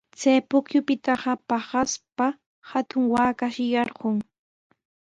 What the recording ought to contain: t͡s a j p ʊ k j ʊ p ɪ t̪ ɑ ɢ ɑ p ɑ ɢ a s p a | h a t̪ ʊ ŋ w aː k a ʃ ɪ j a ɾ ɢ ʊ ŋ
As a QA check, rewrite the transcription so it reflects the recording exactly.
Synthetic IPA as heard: t͡s a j p ʊ k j ʊ p ɪ t̪ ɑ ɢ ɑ p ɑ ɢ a s p a | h a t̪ ʊ ŋ w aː k a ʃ ɪ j ɑ ɾ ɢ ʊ ŋ